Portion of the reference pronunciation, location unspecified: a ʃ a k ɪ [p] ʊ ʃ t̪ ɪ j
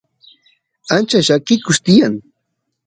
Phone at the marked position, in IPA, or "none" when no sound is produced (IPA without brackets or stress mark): k